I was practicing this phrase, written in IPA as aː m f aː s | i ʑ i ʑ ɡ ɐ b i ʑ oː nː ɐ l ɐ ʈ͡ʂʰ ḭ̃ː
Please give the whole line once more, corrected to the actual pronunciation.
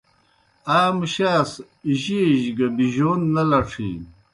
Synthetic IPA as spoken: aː m ɕ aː s | i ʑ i ʑ ɡ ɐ b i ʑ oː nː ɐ l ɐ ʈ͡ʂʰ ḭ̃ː

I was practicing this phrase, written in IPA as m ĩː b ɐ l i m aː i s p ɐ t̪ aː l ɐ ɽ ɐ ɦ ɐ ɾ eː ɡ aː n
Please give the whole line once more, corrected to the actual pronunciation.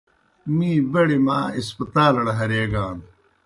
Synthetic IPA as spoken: m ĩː b ɐ ɽ i m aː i s p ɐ t̪ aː l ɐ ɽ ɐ ɦ ɐ ɾ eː ɡ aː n

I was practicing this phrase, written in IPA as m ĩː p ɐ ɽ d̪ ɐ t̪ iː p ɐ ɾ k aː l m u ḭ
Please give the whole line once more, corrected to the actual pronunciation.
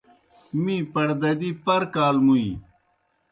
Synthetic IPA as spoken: m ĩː p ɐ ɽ d̪ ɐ d̪ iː p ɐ ɾ k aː l m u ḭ

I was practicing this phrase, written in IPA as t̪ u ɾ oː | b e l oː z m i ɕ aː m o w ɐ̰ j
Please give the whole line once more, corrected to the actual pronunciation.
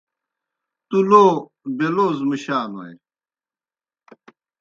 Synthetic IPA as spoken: t̪ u l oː | b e l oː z m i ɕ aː n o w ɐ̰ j

